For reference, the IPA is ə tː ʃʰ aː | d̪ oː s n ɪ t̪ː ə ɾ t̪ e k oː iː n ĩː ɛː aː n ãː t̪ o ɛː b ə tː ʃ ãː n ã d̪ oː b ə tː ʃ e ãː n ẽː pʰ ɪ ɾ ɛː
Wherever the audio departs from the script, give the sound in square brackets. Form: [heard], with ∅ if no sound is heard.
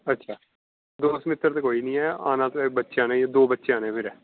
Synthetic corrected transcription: ə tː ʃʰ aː | d̪ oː s [m] ɪ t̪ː ə ɾ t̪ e k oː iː n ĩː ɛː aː n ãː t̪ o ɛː b ə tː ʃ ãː n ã d̪ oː b ə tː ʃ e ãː n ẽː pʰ ɪ ɾ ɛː

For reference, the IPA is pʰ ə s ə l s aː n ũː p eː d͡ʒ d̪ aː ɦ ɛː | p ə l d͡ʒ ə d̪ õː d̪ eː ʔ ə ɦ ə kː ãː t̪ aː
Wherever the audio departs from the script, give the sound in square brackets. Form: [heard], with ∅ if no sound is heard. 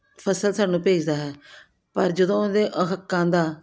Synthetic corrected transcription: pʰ ə s ə l s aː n ũː p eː d͡ʒ d̪ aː ɦ ɛː | p ə [ɾ] d͡ʒ ə d̪ õː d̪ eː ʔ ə ɦ ə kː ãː [d̪] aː

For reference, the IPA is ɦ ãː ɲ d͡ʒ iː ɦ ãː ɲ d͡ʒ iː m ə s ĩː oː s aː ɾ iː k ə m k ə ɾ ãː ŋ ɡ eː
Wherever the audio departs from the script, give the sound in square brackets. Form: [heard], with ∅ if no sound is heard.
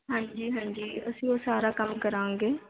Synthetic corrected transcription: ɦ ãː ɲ d͡ʒ iː ɦ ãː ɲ d͡ʒ iː [∅] ə s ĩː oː s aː ɾ [aː] k ə m k ə ɾ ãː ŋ ɡ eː

